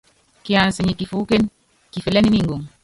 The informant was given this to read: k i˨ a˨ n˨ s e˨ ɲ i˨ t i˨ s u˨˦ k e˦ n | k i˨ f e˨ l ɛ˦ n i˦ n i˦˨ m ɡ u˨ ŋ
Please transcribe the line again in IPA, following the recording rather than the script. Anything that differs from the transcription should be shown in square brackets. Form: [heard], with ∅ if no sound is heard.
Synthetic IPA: k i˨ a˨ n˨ s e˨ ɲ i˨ [k] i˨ [f] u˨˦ k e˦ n | k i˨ f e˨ l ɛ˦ n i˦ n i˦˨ [ŋ] ɡ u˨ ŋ